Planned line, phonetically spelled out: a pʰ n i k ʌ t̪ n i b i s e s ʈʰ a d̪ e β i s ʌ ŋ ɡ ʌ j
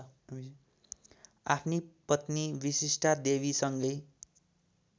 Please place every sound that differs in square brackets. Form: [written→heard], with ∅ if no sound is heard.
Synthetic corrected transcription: a pʰ n i [k→p] ʌ t̪ n i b i s [e→i] s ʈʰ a d̪ e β i s ʌ ŋ ɡ ʌ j